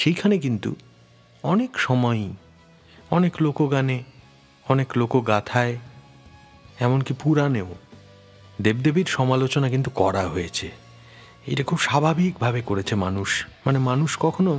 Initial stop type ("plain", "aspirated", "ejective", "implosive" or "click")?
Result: aspirated